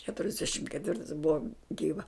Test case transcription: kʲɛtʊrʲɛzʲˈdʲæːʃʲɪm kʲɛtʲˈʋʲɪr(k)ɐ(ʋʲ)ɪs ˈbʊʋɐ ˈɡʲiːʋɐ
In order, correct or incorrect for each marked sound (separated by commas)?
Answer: incorrect, incorrect